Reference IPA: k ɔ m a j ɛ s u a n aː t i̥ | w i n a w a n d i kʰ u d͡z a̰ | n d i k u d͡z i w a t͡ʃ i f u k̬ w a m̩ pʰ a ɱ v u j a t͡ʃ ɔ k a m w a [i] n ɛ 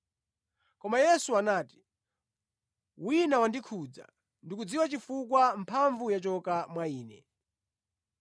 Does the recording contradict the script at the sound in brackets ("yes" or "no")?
yes